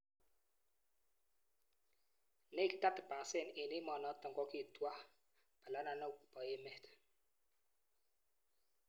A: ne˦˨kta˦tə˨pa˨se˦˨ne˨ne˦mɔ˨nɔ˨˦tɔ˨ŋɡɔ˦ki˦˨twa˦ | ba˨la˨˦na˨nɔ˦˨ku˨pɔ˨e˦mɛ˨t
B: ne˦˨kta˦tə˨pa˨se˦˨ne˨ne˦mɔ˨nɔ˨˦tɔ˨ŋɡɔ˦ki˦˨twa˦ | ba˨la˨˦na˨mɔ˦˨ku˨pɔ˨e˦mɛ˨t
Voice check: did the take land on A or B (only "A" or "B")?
A